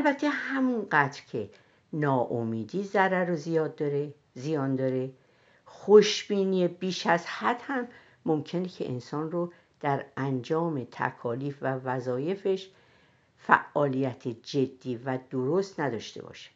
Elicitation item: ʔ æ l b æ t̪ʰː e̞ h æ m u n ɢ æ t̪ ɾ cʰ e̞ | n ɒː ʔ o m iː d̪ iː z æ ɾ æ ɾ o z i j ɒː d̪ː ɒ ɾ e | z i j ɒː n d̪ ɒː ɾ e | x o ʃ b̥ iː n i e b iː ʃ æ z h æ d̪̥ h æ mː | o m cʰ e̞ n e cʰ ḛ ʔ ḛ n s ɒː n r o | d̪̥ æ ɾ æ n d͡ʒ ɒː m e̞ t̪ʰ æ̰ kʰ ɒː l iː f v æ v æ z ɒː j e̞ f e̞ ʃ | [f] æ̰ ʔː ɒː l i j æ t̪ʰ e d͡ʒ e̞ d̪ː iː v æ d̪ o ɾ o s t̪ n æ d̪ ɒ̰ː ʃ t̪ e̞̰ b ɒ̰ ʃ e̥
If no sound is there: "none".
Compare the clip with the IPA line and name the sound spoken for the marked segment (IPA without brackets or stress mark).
f